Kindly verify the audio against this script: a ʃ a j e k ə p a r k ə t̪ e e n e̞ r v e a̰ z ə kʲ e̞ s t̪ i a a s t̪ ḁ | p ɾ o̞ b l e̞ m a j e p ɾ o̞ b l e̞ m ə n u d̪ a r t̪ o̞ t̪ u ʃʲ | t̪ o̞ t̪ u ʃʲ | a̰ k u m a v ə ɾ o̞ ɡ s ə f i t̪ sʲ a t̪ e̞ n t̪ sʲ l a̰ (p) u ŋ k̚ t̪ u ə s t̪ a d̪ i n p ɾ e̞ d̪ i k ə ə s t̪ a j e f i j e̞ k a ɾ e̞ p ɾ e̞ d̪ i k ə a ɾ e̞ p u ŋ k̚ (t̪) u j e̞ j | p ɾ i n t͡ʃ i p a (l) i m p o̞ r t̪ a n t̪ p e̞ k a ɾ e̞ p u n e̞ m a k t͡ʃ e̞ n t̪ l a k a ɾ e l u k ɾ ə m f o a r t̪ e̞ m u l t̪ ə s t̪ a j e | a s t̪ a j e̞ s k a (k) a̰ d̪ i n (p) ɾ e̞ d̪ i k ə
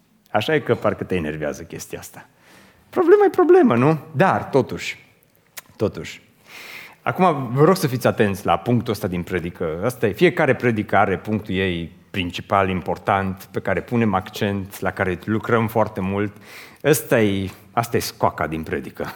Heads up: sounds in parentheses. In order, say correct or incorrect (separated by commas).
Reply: correct, correct, correct, correct, correct